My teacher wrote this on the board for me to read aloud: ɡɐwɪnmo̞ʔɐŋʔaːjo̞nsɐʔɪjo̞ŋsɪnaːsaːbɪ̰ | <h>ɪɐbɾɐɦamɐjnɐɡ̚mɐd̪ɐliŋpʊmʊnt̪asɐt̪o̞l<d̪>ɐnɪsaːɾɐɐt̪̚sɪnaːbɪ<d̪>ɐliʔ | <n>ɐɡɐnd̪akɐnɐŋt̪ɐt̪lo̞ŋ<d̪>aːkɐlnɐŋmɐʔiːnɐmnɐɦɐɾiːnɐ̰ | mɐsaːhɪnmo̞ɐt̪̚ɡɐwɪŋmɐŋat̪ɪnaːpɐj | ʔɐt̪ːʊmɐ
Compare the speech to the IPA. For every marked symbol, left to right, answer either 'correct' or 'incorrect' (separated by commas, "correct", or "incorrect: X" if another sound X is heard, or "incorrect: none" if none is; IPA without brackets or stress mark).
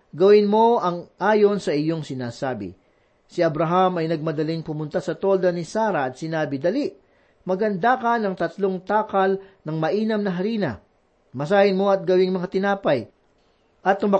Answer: incorrect: s, correct, correct, incorrect: m, incorrect: t̪